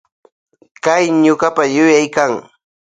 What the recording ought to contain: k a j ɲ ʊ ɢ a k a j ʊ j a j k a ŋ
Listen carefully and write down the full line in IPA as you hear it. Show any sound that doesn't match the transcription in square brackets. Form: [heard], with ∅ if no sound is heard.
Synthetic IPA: k a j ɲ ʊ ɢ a [p] a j ʊ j a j k a ŋ